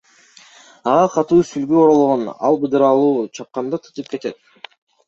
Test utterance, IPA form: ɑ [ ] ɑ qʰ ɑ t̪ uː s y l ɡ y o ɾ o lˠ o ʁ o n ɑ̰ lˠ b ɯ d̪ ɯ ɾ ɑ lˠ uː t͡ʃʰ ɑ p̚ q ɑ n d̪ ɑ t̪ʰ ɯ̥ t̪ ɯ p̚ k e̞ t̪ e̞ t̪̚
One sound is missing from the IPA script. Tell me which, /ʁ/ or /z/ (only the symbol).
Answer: ʁ